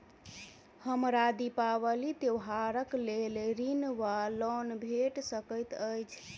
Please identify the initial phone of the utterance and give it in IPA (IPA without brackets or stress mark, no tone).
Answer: h